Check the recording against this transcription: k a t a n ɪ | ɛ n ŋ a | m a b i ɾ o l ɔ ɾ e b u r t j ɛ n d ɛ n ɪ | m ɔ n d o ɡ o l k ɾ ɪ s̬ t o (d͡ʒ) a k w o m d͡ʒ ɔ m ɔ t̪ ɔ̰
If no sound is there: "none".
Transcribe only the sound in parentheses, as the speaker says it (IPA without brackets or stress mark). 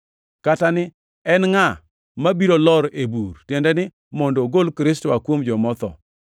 none